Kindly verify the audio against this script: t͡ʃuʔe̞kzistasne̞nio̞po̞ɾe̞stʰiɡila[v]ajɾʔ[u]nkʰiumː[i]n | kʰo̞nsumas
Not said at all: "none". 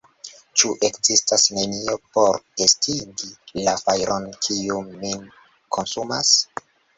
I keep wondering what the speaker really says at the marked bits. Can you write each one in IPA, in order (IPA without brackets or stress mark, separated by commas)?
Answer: f, o, i